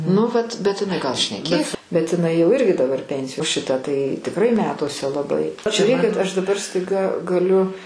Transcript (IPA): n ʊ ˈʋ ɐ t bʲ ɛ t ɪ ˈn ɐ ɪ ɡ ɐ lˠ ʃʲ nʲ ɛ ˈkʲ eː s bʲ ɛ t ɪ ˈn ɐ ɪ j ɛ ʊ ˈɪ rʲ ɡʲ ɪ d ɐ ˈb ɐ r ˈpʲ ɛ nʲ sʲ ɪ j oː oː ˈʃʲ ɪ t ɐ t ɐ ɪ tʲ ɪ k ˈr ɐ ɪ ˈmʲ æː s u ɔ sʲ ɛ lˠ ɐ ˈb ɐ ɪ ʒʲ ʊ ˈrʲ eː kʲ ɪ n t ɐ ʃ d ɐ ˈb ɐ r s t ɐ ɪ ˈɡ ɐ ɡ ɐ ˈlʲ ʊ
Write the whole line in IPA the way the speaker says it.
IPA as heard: n ʊ ˈʋ ɐ t bʲ ɛ t ɪ ˈn ɐ ɪ ɡ ɐ lˠ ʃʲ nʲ ɛ ˈkʲ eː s bʲ ɛ t ɪ ˈn ɐ ɪ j ɛ ʊ ˈɪ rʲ ɡʲ ɪ d ɐ ˈb ɐ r ˈpʲ ɛ nʲ sʲ ɪ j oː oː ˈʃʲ ɪ t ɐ t ɐ ɪ tʲ ɪ k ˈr ɐ ɪ ˈmʲ æː t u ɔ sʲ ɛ lˠ ɐ ˈb ɐ ɪ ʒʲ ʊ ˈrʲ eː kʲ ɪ t ɐ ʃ d ɐ ˈb ɐ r s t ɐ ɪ ˈɡ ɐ ɡ ɐ ˈlʲ ʊ